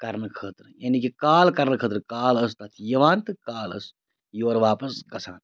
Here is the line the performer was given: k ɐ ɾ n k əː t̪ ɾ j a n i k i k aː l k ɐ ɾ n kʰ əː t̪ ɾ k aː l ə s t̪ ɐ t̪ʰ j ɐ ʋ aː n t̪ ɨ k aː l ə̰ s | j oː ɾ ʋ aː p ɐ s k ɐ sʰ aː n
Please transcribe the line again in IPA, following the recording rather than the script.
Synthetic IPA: k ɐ ɾ n kʰ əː t̪ ɾ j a n i k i k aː l k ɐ ɾ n kʰ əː t̪ ɾ k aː l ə s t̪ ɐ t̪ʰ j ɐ ʋ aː n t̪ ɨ k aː l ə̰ s | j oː ɾ ʋ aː p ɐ s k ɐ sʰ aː n